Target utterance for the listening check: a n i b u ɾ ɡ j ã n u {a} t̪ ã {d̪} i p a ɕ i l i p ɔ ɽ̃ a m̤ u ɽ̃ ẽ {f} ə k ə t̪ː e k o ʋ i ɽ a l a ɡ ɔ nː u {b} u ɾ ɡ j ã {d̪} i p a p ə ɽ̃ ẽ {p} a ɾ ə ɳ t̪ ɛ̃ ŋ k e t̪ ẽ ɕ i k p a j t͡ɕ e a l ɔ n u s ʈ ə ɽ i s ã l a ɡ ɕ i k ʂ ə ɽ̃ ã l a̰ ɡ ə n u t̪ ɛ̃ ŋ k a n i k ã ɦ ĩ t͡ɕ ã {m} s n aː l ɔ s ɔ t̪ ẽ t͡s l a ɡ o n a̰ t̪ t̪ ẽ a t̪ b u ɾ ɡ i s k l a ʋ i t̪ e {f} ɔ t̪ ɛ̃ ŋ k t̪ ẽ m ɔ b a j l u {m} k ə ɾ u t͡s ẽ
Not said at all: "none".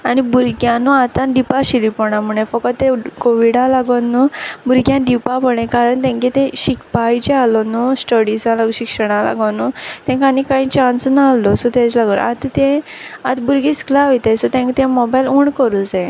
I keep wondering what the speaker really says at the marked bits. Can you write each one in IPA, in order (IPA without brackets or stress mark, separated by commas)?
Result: a, d̪, f, b, d̪, k, n, s, ɳ